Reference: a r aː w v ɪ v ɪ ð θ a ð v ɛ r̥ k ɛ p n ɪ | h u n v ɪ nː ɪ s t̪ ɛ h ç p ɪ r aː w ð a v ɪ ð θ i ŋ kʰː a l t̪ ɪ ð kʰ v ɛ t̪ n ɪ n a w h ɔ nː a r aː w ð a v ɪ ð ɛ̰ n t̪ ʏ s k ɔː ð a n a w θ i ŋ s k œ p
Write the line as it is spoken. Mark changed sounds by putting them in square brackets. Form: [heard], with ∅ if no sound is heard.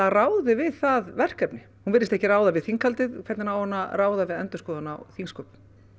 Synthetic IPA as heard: a r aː w [ð] ɪ v ɪ ð θ a ð v ɛ r̥ k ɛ p n ɪ | h u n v ɪ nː ɪ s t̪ ɛ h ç [c] ɪ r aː w ð a v ɪ ð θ i ŋ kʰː a l t̪ ɪ ð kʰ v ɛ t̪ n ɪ n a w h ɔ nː a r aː w ð a v ɪ ð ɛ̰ n t̪ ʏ s k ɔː ð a n a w θ i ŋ s k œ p